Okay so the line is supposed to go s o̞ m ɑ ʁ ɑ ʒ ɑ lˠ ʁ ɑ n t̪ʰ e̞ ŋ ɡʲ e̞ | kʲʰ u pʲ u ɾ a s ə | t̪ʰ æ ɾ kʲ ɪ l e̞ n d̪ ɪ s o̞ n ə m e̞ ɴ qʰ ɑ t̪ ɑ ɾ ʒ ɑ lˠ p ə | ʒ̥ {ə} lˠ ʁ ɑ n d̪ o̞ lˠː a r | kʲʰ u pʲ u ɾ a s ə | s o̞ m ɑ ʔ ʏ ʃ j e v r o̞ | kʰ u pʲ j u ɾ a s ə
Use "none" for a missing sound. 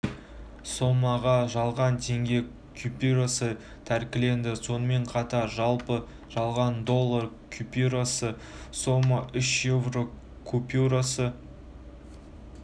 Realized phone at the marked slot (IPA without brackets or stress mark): ɑ